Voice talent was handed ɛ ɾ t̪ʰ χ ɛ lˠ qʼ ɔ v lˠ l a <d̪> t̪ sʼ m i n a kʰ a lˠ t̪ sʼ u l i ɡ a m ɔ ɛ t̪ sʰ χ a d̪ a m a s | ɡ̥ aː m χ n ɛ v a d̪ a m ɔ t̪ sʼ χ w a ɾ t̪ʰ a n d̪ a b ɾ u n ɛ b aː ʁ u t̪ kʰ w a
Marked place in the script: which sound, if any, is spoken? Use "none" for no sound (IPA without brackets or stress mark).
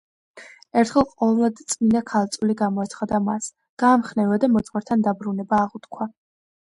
d̪